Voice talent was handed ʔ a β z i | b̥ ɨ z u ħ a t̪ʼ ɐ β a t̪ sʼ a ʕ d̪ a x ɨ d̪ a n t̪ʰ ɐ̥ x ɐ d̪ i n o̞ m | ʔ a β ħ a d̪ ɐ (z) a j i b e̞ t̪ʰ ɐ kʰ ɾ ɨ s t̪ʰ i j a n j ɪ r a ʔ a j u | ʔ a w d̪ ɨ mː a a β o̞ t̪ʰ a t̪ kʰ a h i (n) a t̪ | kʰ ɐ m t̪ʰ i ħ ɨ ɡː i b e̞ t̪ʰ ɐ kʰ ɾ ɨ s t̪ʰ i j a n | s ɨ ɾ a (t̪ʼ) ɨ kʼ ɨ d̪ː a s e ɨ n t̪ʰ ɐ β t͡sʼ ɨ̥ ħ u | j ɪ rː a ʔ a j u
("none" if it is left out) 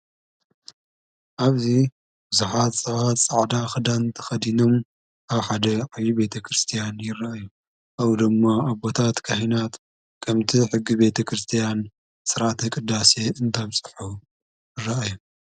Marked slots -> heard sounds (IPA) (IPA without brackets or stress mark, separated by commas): ʕ, n, t̪